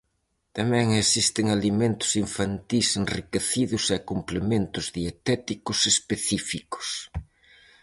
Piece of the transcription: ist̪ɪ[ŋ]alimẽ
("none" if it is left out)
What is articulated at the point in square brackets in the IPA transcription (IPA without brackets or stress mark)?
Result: ŋ